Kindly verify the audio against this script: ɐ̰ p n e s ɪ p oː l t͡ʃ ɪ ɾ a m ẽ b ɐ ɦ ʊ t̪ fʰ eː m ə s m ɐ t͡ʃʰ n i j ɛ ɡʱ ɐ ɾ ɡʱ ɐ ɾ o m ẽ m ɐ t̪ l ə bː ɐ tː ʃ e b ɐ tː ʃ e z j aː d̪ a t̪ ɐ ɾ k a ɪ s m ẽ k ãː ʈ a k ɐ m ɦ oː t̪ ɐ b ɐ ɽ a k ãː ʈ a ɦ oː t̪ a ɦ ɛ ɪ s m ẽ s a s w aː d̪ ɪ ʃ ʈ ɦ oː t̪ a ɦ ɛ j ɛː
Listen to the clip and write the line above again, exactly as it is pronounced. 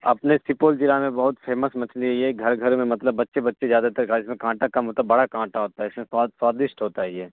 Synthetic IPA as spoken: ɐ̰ p n e s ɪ p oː l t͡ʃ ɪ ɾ a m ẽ b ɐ ɦ ʊ t̪ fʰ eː m ə s m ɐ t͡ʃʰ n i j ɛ ɡʱ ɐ ɾ ɡʱ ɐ ɾ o m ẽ m ɐ t̪ l ə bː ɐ tː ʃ e b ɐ tː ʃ e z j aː d̪ a t̪ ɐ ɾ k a ɪ s m ẽ k ãː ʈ a k ɐ m ɦ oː t̪ a b ɐ ɽ a k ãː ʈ a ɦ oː t̪ a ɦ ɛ ɪ s m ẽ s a s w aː d̪ ɪ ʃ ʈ ɦ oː t̪ a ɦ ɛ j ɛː

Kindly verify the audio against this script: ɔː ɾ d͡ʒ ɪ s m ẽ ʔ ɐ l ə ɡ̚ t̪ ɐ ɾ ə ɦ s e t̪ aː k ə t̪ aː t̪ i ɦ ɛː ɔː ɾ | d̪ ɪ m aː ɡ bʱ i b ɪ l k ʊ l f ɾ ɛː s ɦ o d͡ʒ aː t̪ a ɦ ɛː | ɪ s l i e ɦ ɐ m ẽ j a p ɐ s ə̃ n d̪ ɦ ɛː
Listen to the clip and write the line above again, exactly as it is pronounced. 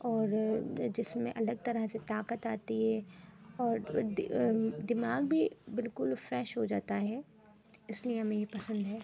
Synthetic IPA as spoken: ɔː ɾ d͡ʒ ɪ s m ẽ ʔ ɐ l ə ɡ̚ t̪ ɐ ɾ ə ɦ s e t̪ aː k ə t̪ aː t̪ i ɦ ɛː ɔː ɾ | d̪ ɪ m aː ɡ bʱ i b ɪ l k ʊ l f ɾ ɛː ʃ ɦ o d͡ʒ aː t̪ a ɦ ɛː | ɪ s l i e ɦ ɐ m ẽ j e p ɐ s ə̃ n d̪ ɦ ɛː

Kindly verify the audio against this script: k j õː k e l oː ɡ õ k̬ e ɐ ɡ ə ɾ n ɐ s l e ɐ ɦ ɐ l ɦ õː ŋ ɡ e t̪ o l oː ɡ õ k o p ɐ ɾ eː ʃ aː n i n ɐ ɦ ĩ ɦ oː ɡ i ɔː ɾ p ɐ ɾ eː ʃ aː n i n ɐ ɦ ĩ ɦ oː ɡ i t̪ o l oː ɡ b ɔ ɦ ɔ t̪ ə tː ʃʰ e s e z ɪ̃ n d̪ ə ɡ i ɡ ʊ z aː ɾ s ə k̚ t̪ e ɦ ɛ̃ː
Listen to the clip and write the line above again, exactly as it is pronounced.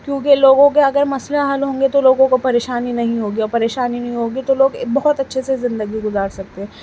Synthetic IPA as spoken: k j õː k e l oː ɡ õ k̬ e ɐ ɡ ə ɾ m ɐ s l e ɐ ɦ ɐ l ɦ õː ŋ ɡ e t̪ o l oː ɡ õ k o p ɐ ɾ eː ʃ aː n i n ɐ ɦ ĩ ɦ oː ɡ i ɔː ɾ p ɐ ɾ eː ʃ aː n i n ɐ ɦ ĩ ɦ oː ɡ i t̪ o l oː ɡ b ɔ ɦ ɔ t̪ ɐ tː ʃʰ e s e z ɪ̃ n d̪ ə ɡ i ɡ ʊ z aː ɾ s ɐ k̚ t̪ e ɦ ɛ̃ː

